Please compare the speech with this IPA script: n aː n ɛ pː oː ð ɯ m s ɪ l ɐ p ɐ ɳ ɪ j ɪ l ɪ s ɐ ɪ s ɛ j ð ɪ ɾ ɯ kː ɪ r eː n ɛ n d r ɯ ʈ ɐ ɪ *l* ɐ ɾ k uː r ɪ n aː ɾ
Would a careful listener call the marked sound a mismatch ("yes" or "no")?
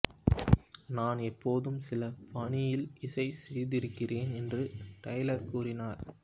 no